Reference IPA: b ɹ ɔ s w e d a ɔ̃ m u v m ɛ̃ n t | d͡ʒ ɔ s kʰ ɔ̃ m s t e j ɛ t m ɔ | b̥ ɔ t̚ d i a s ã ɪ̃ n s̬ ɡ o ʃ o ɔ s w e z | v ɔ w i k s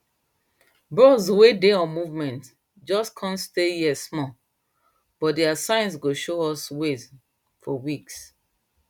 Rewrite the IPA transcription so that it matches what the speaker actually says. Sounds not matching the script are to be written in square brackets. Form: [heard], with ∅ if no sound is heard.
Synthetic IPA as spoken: b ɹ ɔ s w e d [e] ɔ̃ m u v m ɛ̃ n t | d͡ʒ ɔ s kʰ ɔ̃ [n] s t e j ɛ [s] m ɔ | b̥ ɔ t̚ d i a s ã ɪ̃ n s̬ ɡ o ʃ o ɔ s w e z | [f] ɔ w i k s